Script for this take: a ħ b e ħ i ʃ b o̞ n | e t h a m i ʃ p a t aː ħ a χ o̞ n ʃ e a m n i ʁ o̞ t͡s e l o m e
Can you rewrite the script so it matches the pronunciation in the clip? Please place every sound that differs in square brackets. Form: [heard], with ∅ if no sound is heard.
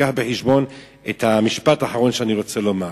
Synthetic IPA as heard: a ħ b e ħ i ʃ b o̞ n | e t h a m i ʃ p a t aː ħ a [ʁ] o̞ n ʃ e a [∅] n i ʁ o̞ t͡s e l o m [a]